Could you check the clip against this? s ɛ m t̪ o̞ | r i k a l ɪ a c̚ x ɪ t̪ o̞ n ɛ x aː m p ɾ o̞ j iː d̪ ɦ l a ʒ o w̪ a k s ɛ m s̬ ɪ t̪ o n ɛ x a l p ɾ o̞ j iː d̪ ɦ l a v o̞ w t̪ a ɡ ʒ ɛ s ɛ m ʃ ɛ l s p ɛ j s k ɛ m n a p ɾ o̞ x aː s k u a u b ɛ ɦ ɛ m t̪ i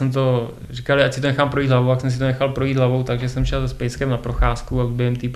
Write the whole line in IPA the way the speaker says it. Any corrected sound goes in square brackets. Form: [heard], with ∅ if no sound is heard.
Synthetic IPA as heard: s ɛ m t̪ o̞ | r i k a l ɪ a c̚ [s] ɪ t̪ o̞ n ɛ x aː m p ɾ o̞ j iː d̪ ɦ l a [v] o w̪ a k s ɛ m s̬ ɪ t̪ o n ɛ x a l p ɾ o̞ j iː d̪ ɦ l a v o̞ w t̪ a ɡ ʒ ɛ s ɛ m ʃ ɛ l s p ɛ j s k ɛ m n a p ɾ o̞ x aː s k u a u b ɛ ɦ ɛ m t̪ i